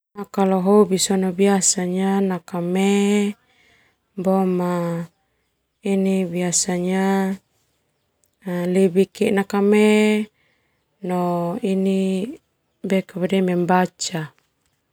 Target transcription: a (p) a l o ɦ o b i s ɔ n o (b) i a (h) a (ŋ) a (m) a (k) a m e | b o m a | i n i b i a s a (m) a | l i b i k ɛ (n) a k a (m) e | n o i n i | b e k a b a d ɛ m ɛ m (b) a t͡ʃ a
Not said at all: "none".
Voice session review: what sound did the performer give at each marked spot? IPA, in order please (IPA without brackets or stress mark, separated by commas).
k, b, s, ɲ, n, k, ɲ, n, m, b